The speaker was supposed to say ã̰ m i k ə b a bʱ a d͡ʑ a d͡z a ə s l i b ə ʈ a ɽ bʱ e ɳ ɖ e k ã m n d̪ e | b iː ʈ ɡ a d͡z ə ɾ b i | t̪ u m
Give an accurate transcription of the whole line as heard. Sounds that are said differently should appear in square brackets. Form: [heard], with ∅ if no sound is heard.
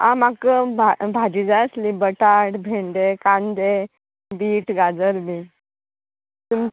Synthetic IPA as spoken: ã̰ m [a] k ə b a bʱ a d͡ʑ [i] d͡z a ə s l i b ə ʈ a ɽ bʱ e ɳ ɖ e k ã [∅] n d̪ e | b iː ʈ ɡ a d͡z ə ɾ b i | t̪ u m